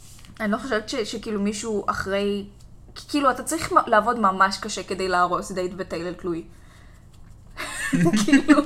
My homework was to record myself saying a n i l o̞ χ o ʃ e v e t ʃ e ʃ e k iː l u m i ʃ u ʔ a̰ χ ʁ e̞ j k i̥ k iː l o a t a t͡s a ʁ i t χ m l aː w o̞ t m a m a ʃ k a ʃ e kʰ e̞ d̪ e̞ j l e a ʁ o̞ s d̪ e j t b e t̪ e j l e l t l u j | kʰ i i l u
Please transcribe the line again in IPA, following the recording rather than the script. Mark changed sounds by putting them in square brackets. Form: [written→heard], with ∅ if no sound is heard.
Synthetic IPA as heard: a n i l o̞ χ o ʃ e v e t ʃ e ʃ e k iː l u m i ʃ u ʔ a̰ χ ʁ e̞ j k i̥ k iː l [o→u] a t a t͡s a ʁ i [t→∅] χ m l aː [w→v] o̞ [t→d] m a m a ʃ k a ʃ e [kʰ→k] e̞ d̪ e̞ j l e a ʁ o̞ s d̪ e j t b e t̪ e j l e l t l u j | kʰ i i l u